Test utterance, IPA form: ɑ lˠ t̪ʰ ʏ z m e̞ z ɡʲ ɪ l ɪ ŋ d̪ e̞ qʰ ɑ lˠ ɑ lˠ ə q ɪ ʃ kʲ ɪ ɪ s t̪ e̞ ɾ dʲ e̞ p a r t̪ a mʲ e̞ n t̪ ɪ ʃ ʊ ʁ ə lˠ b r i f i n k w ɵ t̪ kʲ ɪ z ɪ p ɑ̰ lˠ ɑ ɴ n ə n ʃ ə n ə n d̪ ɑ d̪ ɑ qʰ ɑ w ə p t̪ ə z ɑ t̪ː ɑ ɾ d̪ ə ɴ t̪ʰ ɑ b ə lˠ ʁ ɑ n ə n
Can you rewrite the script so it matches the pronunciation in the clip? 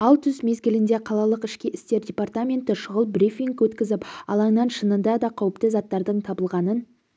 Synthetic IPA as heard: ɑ lˠ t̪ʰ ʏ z m e̞ z ɡʲ ɪ l ɪ n d̪ e̞ qʰ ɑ lˠ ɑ lˠ ə q ɪ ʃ kʲ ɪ ɪ s t̪ e̞ ɾ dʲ e̞ p a r t̪ a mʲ e̞ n t̪ ɪ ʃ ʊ ʁ ə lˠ b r i f i ŋ k w ɵ t̪ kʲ ɪ z ɪ p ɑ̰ lˠ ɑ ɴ n ɑ n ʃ ə n ə n d̪ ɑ d̪ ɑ qʰ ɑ w ə p t̪ ə z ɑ t̪ː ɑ ɾ d̪ ə ɴ t̪ʰ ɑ b ə lˠ ʁ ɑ n ə n